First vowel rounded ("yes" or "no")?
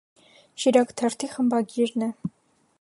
no